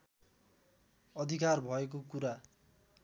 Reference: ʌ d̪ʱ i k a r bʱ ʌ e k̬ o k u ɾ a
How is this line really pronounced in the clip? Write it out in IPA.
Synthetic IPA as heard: ʌ d̪ʱ i k a r bʱ ʌ e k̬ o k u ɾ a